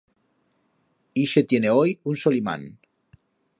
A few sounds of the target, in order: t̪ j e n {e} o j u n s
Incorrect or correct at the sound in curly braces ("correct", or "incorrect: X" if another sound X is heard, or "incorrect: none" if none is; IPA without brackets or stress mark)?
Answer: correct